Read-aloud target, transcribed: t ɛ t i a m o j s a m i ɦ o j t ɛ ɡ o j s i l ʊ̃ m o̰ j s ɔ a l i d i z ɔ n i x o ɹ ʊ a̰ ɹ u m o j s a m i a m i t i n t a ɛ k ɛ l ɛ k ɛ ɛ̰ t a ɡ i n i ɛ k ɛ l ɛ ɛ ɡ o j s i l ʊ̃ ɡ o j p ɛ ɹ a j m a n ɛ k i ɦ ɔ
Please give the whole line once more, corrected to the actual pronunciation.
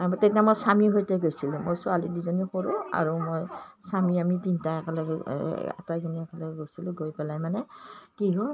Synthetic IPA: t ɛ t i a m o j s a m i ɦ o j t ɛ ɡ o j s i l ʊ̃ m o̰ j s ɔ a l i d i z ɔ n i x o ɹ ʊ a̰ ɹ u m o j s a m i a m i t i n t a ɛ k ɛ l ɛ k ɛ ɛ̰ t a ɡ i n i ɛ k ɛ l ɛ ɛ ɡ o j s i l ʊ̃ ɡ o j p ɛ l a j m a n ɛ k i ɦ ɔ

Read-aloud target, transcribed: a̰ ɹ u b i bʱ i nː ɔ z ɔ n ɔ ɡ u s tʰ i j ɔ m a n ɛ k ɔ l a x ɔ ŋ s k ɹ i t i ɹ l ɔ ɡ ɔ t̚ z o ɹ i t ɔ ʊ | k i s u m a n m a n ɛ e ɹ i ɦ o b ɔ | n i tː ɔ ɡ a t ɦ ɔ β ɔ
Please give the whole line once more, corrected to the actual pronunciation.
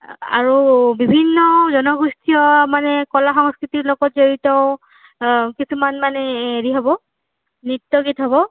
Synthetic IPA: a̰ ɹ u b i bʱ i nː ɔ z ɔ n ɔ ɡ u s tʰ i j ɔ m a n ɛ k ɔ l a x ɔ ŋ s k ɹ i t i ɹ l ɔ ɡ ɔ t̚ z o ɹ i t ɔ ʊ | k i s u m a n m a n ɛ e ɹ i ɦ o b ɔ | n i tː ɔ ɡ i t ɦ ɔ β ɔ

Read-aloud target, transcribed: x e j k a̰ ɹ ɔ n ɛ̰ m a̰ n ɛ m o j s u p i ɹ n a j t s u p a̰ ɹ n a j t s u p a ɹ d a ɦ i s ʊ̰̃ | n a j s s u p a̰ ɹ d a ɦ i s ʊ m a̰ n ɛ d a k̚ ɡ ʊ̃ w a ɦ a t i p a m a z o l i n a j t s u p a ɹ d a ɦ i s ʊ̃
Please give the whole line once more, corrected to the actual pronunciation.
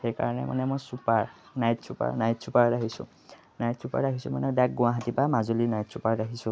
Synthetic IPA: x e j k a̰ ɹ ɔ n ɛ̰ m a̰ n ɛ m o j s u p a ɹ n a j t s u p a̰ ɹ n a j t s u p a ɹ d a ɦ i s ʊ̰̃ | n a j t s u p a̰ ɹ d a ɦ i s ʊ m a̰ n ɛ d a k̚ ɡ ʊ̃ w a ɦ a t i p a m a z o l i n a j t s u p a ɹ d a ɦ i s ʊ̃

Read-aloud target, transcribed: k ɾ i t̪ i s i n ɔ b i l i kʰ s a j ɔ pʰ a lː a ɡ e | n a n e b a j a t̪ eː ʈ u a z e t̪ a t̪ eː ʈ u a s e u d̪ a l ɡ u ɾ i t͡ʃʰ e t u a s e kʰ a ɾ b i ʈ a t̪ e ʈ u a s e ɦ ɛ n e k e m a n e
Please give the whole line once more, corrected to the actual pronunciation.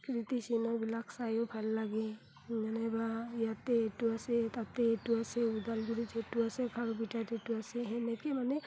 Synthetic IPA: k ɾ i t̪ i s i n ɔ b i l a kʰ s a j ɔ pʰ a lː a ɡ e | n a n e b a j a t̪ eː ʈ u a s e t̪ a t̪ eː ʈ u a s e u d̪ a l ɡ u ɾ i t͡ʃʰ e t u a s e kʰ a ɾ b i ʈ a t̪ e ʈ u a s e ɦ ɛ n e k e m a n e

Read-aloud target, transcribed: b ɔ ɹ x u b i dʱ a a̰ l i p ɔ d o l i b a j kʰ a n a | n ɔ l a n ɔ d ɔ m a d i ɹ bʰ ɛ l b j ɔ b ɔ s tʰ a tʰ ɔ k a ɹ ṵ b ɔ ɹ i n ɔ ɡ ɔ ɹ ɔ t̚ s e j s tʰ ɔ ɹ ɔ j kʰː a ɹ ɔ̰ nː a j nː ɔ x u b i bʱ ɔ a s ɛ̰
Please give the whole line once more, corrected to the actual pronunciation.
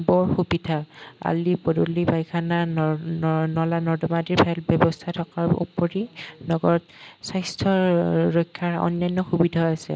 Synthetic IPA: b ɔ ɹ x u b i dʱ a a̰ l i p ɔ d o l i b a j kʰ a n a | n ɔ l a n ɔ d ɔ m a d i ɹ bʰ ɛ l b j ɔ b ɔ s tʰ a tʰ ɔ k a ɹ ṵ p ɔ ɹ i n ɔ ɡ ɔ ɹ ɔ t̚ s a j s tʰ ɔ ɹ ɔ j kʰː a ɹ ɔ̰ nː a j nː ɔ x u b i dʱ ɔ a s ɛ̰

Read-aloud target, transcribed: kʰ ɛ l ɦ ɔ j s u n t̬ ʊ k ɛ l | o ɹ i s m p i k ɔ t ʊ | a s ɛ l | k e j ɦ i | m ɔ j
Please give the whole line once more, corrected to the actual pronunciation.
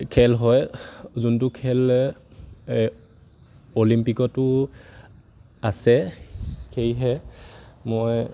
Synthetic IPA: kʰ ɛ l ɦ ɔ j z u n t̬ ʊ kʰ ɛ l | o l i m p i k ɔ t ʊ | a s ɛ | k e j ɦ ɛ | m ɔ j

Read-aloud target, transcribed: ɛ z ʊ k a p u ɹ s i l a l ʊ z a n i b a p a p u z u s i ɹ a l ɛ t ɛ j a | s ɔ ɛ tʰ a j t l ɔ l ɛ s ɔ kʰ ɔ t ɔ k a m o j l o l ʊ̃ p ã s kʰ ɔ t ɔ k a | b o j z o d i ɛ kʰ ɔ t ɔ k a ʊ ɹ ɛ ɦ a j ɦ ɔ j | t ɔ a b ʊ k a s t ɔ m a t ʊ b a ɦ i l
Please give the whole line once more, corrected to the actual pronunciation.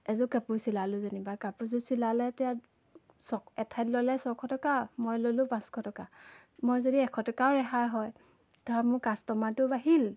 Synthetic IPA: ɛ z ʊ k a p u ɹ s i l a l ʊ z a n i b a k a p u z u s i l a l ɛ t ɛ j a | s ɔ ɛ tʰ a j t l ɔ l ɛ s ɔ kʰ ɔ t ɔ k a m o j l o l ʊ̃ p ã s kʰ ɔ t ɔ k a | m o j z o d i ɛ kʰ ɔ t ɔ k a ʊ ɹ ɛ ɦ a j ɦ ɔ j | t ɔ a m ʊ k a s t ɔ m a t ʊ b a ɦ i l

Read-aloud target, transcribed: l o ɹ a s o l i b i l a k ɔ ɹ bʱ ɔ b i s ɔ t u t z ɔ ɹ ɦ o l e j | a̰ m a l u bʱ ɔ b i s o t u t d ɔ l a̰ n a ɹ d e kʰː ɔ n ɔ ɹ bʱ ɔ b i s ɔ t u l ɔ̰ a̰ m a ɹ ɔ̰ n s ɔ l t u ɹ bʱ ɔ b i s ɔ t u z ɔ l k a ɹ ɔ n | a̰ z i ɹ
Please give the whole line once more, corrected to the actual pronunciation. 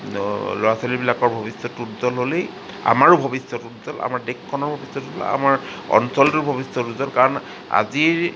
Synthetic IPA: l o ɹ a s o l i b i l a k ɔ ɹ bʱ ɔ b i s ɔ t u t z ɔ l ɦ o l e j | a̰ m a ɹ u bʱ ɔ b i s ɔ t u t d ɔ l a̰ m a ɹ d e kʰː ɔ n ɔ ɹ bʱ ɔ b i s ɔ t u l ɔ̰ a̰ m a ɹ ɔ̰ n s ɔ l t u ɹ bʱ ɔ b i s ɔ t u z ɔ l k a ɹ ɔ n | a̰ z i ɹ

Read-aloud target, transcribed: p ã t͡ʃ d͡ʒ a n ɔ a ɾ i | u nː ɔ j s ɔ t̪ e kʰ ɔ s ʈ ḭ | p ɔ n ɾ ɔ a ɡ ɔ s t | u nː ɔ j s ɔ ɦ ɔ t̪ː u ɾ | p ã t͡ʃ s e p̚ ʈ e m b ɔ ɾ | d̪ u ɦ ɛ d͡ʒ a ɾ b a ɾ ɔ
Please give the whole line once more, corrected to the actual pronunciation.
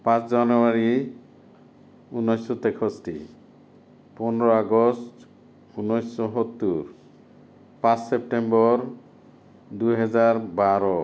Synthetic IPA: p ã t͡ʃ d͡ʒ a n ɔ a ɾ i | u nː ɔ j s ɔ t̪ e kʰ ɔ s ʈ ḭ | p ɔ n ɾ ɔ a ɡ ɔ s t | u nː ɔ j s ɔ ɦ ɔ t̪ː u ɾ | p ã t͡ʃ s e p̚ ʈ e m b ɔ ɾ | d̪ u ɦ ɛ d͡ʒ a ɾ b a ɾ ɔ

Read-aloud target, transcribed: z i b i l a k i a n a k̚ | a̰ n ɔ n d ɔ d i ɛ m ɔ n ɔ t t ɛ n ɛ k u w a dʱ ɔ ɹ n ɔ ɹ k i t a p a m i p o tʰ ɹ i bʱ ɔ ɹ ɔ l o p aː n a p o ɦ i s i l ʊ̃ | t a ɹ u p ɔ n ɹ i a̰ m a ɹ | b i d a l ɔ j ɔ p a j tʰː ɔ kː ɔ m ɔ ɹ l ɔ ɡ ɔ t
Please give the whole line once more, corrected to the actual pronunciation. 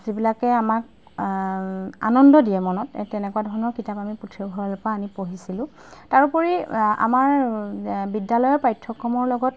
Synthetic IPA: z i b i l a k ɛ a m a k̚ | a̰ n ɔ n d ɔ d i ɛ m ɔ n ɔ t t ɛ n ɛ k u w a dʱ ɔ ɹ n ɔ ɹ k i t a p a m i p u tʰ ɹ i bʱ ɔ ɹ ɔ l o p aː n i p o ɦ i s i l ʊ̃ | t a ɹ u p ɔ ɹ i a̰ m a ɹ | b i d a l ɔ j ɔ p a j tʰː ɔ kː ɔ m ɔ ɹ l ɔ ɡ ɔ t

